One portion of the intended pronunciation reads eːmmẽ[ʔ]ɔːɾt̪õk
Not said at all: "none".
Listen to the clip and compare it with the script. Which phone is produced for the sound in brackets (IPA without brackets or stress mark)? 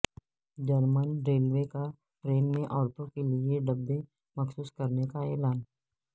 ʔ